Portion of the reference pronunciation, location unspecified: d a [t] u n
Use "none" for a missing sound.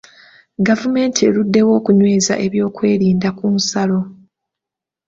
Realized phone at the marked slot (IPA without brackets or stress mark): k